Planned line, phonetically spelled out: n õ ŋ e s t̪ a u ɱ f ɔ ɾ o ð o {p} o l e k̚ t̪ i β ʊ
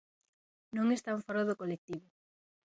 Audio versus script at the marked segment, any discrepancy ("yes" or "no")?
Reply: yes